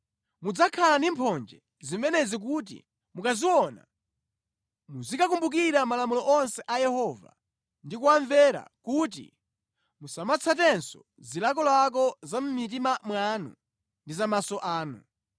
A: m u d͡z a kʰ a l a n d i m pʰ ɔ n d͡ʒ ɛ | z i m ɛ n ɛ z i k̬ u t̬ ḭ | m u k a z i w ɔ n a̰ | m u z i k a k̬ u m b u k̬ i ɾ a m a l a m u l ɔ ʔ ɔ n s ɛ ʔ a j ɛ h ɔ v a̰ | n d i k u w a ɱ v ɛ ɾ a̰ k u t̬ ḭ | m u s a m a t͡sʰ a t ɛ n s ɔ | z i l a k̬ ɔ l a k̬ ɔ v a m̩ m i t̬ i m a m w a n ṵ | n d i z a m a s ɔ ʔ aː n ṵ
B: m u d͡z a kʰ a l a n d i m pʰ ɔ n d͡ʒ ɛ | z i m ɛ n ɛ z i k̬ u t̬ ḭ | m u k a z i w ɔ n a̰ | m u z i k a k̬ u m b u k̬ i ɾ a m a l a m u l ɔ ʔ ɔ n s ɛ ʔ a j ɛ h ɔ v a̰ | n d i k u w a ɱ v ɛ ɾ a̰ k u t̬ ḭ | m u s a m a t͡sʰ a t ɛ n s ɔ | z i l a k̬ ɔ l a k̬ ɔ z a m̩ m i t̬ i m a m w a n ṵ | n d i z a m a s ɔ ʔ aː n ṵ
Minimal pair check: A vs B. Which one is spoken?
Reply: B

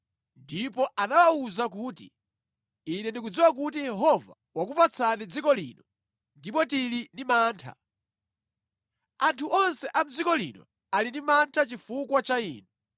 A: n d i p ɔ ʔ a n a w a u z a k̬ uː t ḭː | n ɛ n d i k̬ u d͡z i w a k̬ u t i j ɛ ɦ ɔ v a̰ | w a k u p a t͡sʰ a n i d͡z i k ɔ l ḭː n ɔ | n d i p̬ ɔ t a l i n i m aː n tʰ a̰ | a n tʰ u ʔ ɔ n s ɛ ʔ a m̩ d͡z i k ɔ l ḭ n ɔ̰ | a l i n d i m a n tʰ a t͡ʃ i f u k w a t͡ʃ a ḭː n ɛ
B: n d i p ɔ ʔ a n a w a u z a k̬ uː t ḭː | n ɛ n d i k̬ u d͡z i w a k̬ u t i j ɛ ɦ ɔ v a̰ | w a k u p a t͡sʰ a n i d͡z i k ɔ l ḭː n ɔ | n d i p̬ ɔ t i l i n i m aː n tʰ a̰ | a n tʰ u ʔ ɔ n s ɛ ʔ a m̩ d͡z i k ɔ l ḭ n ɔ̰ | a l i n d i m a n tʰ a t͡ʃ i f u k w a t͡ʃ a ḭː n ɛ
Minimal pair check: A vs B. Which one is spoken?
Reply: B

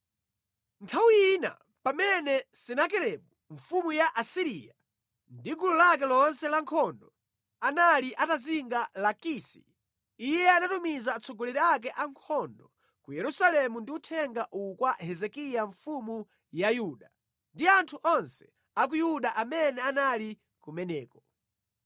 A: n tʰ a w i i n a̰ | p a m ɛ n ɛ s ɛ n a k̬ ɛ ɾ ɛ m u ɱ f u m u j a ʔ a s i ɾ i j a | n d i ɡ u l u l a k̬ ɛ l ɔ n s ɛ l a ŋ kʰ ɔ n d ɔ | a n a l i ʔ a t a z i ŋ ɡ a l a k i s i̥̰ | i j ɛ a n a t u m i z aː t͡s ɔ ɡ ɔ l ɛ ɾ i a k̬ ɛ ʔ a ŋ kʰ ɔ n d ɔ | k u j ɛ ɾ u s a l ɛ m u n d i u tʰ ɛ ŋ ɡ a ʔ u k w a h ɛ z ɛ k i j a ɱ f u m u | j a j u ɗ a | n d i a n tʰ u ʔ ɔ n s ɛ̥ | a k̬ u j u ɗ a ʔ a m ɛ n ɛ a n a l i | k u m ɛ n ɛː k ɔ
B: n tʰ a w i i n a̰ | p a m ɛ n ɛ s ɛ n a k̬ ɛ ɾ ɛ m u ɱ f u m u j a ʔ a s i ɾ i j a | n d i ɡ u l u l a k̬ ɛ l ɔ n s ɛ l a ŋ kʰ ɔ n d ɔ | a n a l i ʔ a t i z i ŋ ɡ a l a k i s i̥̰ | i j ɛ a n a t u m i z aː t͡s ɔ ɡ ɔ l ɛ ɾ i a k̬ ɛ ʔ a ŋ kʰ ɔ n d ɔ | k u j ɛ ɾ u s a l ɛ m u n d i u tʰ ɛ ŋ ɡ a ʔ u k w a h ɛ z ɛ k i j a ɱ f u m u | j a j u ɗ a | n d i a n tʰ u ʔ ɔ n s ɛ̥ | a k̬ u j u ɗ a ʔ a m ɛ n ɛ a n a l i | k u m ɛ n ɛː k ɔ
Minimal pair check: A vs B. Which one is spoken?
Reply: A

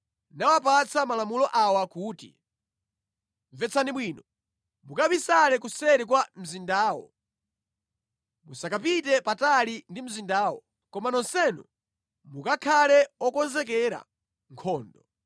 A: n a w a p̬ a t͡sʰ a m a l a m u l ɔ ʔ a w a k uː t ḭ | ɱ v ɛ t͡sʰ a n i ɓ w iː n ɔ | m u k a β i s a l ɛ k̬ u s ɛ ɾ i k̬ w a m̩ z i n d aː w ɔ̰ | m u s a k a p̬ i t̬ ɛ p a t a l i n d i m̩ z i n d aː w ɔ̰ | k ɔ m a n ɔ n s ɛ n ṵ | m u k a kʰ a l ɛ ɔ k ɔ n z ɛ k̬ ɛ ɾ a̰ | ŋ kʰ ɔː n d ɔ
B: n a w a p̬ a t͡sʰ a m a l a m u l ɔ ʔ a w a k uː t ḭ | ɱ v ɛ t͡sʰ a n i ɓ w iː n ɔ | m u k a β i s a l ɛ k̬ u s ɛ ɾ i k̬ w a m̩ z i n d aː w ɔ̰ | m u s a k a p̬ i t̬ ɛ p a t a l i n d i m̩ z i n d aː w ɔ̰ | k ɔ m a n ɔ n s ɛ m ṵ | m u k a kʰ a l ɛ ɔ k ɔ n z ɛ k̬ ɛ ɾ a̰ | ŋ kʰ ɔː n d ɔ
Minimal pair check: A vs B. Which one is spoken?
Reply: A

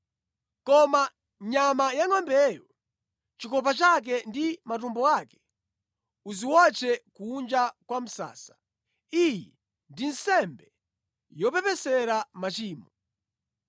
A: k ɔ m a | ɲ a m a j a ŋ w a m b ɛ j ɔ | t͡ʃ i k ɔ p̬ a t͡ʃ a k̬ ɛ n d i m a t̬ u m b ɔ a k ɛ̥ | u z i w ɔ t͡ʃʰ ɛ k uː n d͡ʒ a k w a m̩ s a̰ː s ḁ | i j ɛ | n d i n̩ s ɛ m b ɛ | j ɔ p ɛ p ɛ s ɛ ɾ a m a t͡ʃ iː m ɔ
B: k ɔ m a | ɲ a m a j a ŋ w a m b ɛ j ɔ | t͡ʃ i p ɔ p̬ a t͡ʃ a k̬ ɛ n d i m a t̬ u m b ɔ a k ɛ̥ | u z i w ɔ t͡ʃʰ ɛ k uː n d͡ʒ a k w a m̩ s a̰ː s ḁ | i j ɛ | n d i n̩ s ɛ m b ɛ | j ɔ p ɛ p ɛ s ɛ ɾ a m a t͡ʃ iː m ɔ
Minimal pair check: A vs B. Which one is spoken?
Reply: A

